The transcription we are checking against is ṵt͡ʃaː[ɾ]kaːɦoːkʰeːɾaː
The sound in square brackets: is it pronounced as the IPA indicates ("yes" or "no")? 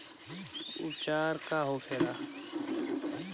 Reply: yes